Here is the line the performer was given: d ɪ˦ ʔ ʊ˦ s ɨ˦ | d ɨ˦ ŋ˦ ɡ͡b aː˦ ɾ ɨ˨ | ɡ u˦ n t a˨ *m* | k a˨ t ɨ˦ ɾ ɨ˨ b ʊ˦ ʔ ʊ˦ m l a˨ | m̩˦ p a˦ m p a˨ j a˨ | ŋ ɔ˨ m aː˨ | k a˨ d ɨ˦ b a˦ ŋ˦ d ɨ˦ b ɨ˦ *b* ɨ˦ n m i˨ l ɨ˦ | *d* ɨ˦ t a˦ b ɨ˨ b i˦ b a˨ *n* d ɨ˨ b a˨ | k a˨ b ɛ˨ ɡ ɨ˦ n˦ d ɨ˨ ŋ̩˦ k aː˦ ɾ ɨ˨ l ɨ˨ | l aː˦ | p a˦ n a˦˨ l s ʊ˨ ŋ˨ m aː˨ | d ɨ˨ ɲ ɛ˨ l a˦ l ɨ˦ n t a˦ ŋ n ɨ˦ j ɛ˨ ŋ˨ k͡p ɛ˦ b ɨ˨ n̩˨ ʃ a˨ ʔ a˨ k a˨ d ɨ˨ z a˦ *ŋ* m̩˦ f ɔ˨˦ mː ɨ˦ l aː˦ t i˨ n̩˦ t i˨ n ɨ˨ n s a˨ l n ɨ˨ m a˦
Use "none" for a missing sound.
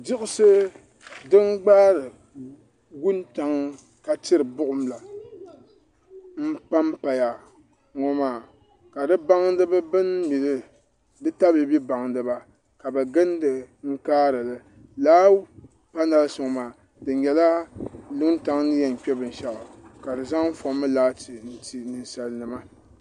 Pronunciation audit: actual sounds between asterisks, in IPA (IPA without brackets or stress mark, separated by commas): ŋ, b, d, ŋ, ŋ